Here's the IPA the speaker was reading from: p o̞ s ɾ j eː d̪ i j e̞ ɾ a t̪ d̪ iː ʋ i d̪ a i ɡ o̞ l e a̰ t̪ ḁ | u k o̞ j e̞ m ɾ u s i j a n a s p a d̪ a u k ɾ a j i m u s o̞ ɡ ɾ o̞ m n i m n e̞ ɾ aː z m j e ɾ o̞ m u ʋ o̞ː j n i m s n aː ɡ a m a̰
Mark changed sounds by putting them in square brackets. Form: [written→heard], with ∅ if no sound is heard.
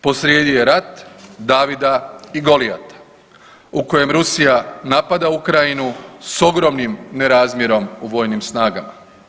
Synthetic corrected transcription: p o̞ s ɾ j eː d̪ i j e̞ ɾ a t̪ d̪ [iː→aː] ʋ i d̪ a i ɡ o̞ l [e→i] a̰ t̪ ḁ | u k o̞ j e̞ m ɾ u s i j a n a [s→∅] p a d̪ a u k ɾ a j i [m→n] u s o̞ ɡ ɾ o̞ m n i m n e̞ ɾ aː z m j e ɾ o̞ m u ʋ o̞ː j n i m s n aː ɡ a m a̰